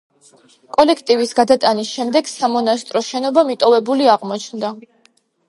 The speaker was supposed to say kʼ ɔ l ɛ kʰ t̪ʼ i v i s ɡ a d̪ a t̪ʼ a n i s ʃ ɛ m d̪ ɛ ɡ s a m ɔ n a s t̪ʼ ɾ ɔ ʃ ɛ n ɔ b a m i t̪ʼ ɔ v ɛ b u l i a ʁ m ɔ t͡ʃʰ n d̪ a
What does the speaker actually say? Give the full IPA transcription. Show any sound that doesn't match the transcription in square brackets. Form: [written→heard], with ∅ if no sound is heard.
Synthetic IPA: kʼ ɔ l ɛ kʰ t̪ʼ i v i s ɡ a d̪ a t̪ʼ a n i s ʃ ɛ m d̪ ɛ ɡ s a m ɔ n a s t̪ʼ ɾ ɔ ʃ ɛ n ɔ b a m i t̪ʼ ɔ v ɛ b u l i a ʁ m ɔ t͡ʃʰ n d̪ a